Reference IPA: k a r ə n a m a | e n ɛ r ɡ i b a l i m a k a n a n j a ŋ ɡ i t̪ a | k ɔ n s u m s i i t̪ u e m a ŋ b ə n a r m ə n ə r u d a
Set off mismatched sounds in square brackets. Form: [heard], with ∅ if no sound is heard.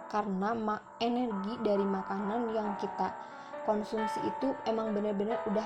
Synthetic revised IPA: k a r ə n a m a | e n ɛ r ɡ i [d] a [ɾ] i m a k a n a n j a ŋ [k] i t̪ a | k ɔ n s u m s i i t̪ u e m a ŋ b ə n [ə] r [b] ə n ə r u d a